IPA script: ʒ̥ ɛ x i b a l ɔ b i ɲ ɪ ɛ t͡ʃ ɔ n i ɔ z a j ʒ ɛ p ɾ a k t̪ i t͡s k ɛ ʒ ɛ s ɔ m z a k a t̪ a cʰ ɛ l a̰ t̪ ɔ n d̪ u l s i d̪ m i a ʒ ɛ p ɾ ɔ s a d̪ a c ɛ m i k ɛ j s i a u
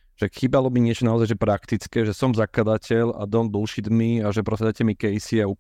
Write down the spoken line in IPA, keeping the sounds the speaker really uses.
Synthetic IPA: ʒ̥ ɛ x i b a l ɔ b i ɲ ɪ ɛ t͡ʃ ɔ n a ɔ z a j ʒ ɛ p ɾ a k t̪ i t͡s k ɛ ʒ ɛ s ɔ m z a k a d̪ a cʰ ɛ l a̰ d̪ ɔ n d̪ u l ʃ i d̪ m i a ʒ ɛ p ɾ ɔ s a d̪ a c ɛ m i k ɛ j s i a u